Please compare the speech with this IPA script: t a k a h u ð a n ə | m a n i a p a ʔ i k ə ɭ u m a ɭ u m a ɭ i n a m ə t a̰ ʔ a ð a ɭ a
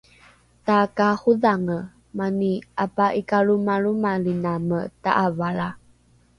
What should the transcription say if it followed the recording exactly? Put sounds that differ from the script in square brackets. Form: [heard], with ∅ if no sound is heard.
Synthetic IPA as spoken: t a k a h u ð a [ŋ] ə | m a n i a p a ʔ i k [a] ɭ u m a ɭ u m a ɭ i n a m ə t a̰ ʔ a [v] a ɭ a